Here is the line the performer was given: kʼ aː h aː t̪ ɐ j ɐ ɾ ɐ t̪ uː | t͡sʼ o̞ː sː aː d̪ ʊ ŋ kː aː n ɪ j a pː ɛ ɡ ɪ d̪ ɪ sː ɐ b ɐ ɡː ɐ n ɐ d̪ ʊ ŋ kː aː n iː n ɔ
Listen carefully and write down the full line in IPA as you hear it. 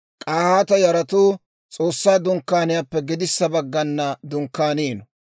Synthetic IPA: kʼ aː h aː t̪ ɐ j ɐ ɾ ɐ t̪ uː | t͡sʼ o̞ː sː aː d̪ ʊ ŋ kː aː n ɪ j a pː ɛ ɡ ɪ d̪ ɪ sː ɐ b ɐ ɡː ɐ nː ɐ d̪ ʊ ŋ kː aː n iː n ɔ